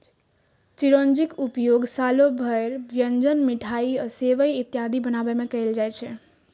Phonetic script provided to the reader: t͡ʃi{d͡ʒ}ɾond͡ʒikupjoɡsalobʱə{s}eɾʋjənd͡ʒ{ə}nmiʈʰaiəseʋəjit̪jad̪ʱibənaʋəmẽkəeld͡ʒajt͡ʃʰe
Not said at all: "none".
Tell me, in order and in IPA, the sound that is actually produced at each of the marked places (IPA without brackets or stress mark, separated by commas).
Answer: none, none, ə